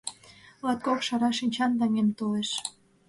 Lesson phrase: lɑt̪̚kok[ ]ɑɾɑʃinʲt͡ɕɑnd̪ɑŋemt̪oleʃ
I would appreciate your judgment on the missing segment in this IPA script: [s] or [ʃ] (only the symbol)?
ʃ